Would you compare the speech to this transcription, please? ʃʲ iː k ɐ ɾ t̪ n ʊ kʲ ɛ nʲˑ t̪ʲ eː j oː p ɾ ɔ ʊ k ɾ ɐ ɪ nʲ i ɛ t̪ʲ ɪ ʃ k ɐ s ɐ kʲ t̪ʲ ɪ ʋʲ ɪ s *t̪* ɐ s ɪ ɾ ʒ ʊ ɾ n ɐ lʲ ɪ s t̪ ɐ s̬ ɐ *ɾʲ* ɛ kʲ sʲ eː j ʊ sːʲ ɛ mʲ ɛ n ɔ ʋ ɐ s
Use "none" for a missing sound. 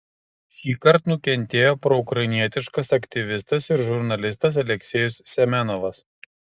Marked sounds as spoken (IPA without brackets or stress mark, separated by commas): t̪, lʲ